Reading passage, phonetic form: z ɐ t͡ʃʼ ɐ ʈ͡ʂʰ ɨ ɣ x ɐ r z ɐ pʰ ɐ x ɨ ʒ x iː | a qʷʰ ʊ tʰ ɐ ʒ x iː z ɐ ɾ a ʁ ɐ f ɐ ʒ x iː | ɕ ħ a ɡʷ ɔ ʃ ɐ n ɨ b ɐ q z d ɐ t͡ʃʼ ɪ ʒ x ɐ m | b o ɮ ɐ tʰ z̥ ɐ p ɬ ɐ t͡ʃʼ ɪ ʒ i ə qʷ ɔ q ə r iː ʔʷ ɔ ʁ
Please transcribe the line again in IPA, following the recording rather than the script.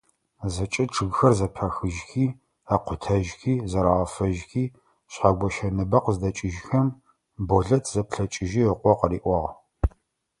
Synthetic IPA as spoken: z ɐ t͡ʃʼ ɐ ʈ͡ʂʰ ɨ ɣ x ɐ r z ɐ pʰ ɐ x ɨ ʒ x iː | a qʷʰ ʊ tʰ ɐ ʒ x iː z ɐ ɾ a ʁ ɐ f ɐ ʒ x iː | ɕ ħ a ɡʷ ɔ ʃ ɐ n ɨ b ɐ q z d ɐ t͡ʃʼ ɪ ʒ x ɐ m | b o ɮ ɐ tʰ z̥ ɐ p ɬ ɐ t͡ʃʼ ɪ ʒ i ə qʷ ɔ q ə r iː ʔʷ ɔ ʁ

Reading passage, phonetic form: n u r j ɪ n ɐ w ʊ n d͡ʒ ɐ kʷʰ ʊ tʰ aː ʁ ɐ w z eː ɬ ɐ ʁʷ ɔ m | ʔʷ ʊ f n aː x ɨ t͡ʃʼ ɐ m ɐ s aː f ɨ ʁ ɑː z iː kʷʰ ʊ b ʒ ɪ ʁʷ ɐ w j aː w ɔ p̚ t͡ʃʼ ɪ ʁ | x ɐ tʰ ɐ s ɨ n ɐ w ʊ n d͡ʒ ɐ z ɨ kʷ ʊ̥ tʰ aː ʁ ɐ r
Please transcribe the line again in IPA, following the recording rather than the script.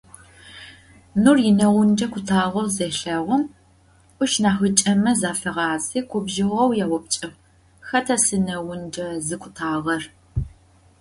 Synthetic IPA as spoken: n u r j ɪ n ɐ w ʊ n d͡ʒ ɐ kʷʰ ʊ tʰ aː ʁ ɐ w z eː ɬ ɐ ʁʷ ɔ m | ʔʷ ʊ ʃ n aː x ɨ t͡ʃʼ ɐ m ɐ z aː f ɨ ʁ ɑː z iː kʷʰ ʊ b ʒ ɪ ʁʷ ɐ w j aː w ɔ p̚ t͡ʃʼ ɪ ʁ | x ɐ tʰ ɐ s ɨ n ɐ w ʊ n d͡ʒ ɐ z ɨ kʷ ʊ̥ tʰ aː ʁ ɐ r

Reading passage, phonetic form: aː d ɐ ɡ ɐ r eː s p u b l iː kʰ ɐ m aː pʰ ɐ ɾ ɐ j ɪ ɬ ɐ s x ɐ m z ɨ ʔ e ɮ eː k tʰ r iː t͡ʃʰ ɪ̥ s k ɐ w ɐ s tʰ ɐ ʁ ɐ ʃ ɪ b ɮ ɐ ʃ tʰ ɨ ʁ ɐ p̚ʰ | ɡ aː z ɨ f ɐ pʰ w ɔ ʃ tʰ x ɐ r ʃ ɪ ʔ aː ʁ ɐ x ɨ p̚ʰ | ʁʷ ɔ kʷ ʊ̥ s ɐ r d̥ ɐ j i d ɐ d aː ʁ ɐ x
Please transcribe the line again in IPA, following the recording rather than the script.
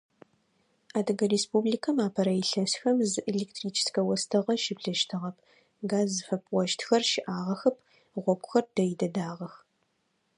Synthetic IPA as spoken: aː d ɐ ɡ ɐ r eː s p u b l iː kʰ ɐ m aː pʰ ɐ ɾ ɐ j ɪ ɬ ɐ s x ɐ m z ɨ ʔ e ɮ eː k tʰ r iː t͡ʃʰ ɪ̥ s k ɐ w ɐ s tʰ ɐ ʁ ɐ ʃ ɪ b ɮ ɐ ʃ tʰ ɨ ʁ ɐ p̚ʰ | ɡ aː z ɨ f ɐ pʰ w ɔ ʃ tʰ x ɐ r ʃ ɪ ʔ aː ʁ ɐ x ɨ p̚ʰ | ʁʷ ɔ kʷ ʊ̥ x ɐ r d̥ ɐ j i d ɐ d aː ʁ ɐ x

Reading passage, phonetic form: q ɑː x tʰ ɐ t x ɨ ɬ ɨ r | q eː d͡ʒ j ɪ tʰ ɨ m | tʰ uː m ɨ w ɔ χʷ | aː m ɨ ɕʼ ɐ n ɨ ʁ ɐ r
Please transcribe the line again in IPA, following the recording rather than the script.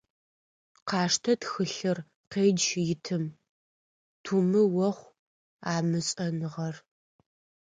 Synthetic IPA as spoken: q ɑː ʂ tʰ ɐ t x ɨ ɬ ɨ r | q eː d͡ʒ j ɪ tʰ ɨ m | tʰ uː m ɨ w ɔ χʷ | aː m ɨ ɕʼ ɐ n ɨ ʁ ɐ r

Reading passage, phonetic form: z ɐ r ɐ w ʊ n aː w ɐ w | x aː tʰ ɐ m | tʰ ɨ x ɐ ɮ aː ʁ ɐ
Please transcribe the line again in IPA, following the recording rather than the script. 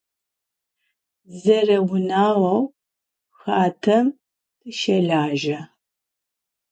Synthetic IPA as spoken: z ɐ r ɐ w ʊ n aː w ɐ w | x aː tʰ ɐ m | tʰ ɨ ʃ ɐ ɮ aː ʒ ɐ

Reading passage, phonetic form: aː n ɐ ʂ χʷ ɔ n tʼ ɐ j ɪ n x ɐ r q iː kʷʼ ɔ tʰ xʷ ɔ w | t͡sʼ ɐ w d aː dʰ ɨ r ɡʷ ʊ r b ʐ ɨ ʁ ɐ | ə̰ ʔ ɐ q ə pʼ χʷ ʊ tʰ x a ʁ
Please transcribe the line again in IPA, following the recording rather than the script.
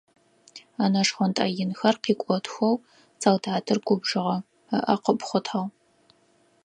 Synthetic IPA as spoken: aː n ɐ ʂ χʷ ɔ n tʼ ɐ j ɪ n x ɐ r q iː kʷʼ ɔ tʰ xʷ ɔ w | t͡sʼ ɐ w d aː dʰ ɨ r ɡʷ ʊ b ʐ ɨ ʁ ɐ | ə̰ ʔ ɐ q ə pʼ χʷ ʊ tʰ ħ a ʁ

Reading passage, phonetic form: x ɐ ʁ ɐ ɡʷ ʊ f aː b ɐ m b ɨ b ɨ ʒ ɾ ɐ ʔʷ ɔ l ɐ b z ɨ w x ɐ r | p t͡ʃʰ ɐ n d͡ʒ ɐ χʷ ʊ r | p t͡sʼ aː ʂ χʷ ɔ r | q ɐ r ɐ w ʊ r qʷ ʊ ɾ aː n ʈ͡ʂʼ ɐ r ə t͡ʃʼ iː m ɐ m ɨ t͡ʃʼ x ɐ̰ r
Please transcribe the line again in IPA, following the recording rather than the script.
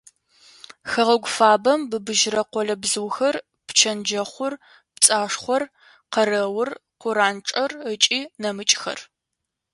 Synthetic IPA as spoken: x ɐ ʁ ɐ ɡʷ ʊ f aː b ɐ m b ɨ b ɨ ʒ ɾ ɐ qʷ ɔ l ɐ b z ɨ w x ɐ r | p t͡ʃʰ ɐ n d͡ʒ ɐ χʷ ʊ r | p t͡sʼ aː ʂ χʷ ɔ r | q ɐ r ɐ w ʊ r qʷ ʊ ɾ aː n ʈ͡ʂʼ ɐ r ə t͡ʃʼ iː n ɐ m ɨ t͡ʃʼ x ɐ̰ r

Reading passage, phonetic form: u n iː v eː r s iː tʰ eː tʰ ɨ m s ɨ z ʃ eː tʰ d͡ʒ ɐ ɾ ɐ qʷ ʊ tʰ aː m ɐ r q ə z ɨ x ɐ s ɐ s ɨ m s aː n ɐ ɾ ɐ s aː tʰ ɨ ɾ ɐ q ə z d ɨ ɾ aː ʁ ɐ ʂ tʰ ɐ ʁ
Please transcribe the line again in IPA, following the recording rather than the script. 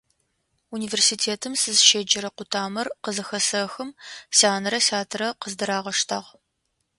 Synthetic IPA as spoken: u n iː v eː r s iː tʰ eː tʰ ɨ m s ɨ z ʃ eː d͡ʒ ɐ ɾ ɐ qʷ ʊ tʰ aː m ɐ r q ə z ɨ x ɐ s ɐ x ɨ m s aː n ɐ ɾ ɐ s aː tʰ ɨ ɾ ɐ q ə z d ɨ ɾ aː ʁ ɐ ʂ tʰ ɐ ʁ

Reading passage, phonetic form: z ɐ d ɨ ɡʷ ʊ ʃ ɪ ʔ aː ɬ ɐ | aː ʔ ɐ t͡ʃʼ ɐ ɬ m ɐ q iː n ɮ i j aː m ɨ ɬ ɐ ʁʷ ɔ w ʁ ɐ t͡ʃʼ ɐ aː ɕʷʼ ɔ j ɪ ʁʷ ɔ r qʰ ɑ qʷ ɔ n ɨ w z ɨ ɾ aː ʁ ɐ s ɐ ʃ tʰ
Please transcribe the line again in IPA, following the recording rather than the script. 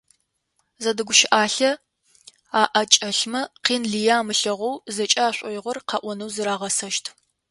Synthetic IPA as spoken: z ɐ d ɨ ɡʷ ʊ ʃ ɪ ʔ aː ɬ ɐ | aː ʔ ɐ t͡ʃʼ ɐ ɬ m ɐ q iː n ɮ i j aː m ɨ ɬ ɐ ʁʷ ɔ w z ɐ t͡ʃʼ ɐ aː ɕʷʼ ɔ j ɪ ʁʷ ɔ r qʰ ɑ ʔʷ ɔ n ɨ w z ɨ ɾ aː ʁ ɐ s ɐ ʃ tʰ

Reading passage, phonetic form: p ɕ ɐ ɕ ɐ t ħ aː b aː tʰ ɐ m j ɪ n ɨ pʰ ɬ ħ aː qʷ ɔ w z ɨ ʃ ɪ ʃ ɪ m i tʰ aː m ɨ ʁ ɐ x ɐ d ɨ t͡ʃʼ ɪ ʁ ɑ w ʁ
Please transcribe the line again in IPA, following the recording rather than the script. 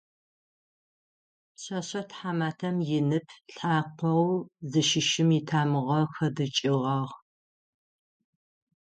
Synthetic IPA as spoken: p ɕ ɐ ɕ ɐ t ħ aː m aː tʰ ɐ m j ɪ n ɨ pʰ ɬ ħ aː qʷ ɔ w z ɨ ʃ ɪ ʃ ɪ m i tʰ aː m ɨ ʁ ɐ x ɐ d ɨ t͡ʃʼ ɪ ʁ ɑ ʁ

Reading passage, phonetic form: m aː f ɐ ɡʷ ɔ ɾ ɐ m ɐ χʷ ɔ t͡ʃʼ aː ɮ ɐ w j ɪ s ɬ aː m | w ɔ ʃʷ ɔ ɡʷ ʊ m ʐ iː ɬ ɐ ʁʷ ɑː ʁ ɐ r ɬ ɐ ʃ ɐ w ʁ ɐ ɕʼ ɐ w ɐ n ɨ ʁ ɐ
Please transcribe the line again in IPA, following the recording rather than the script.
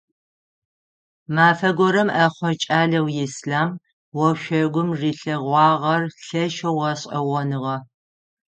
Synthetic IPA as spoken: m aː f ɐ ɡʷ ɔ ɾ ɐ m ɐ χʷ ɔ t͡ʃʼ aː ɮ ɐ w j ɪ s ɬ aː m | w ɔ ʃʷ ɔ ɡʷ ʊ m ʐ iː ɬ ɐ ʁʷ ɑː ʁ ɐ r ɬ ɐ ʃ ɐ w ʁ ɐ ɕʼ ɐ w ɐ n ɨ ʁ ɐ

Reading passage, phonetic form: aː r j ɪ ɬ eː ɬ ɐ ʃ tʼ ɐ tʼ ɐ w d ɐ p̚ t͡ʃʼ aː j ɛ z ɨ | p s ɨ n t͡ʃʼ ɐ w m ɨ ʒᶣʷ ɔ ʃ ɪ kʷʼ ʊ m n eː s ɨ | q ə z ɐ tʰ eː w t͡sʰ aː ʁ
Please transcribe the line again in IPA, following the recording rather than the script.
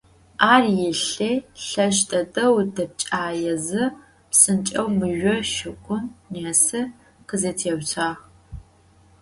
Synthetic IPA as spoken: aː r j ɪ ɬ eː ɬ ɐ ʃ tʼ ɐ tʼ ɐ w d ɐ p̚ t͡ʃʼ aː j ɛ z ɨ | p s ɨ n t͡ʃʼ ɐ w m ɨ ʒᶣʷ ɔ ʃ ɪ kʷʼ ʊ m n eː s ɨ | q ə z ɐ tʰ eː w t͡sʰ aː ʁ

